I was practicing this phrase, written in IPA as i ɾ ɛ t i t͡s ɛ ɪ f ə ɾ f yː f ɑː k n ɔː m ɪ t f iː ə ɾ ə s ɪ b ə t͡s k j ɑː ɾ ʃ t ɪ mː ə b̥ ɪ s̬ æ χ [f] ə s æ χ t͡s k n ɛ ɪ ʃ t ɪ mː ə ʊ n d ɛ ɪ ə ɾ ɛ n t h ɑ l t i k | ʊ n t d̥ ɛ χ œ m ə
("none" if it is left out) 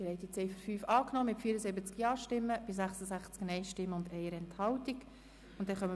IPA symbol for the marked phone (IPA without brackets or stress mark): s